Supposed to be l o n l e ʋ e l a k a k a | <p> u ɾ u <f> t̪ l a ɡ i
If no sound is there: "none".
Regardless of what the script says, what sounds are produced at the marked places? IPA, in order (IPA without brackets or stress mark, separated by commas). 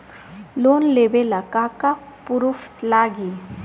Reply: p, f